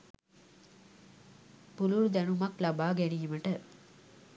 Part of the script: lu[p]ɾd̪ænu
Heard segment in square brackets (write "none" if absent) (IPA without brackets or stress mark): none